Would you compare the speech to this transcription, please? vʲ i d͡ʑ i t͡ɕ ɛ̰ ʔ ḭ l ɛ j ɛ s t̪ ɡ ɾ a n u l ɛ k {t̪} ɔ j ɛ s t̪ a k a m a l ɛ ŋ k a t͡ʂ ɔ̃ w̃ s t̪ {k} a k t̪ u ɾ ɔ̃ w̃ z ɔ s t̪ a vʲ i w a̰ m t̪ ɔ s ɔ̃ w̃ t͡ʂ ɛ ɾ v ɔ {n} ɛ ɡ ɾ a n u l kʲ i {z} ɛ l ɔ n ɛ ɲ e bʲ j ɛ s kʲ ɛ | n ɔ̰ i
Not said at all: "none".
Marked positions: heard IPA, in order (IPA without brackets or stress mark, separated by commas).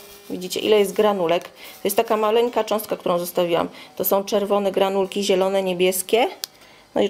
t̪, k, n, ʑ